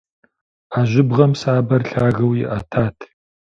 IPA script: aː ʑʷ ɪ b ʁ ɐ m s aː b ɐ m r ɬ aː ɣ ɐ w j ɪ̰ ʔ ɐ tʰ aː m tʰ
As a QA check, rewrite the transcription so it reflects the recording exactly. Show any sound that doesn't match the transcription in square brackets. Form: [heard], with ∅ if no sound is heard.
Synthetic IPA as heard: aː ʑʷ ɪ b ʁ ɐ m s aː b ɐ [∅] r ɬ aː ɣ ɐ w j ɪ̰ ʔ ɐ tʰ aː [∅] tʰ